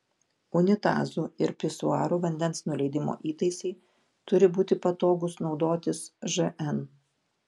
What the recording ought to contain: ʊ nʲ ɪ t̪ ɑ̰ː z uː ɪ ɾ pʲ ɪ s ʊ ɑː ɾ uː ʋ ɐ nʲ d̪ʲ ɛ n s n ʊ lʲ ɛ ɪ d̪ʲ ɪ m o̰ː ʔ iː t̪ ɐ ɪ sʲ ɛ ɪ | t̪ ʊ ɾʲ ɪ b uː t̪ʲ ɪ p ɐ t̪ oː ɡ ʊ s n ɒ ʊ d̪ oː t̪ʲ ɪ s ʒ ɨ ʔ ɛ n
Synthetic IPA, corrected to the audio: ʊ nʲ ɪ t̪ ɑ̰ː z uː ɪ ɾ pʲ ɪ s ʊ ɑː ɾ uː ʋ ɐ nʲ d̪ʲ ɛ n s n ʊ lʲ ɛ ɪ d̪ʲ ɪ m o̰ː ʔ iː t̪ ɐ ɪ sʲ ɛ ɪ | t̪ ʊ ɾʲ ɪ b uː t̪ʲ ɪ p ɐ t̪ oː ɡ ʊ s n ɒ ʊ d̪ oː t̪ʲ ɪ s ʒ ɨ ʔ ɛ n